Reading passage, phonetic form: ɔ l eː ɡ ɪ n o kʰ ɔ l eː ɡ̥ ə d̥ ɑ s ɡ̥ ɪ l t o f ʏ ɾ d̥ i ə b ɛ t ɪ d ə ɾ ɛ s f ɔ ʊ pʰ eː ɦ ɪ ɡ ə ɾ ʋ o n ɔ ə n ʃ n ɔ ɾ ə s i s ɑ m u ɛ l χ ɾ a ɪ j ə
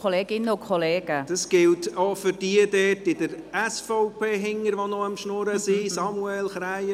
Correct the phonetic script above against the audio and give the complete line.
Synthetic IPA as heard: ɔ l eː ɡ ɪ n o kʰ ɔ l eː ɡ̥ ə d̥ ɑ s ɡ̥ ɪ l t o f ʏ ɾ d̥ i ə d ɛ t ɪ d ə ɾ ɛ s f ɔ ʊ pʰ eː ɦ ɪ ŋ ə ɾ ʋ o n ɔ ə m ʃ n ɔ ɾ ə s i s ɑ m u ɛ l χ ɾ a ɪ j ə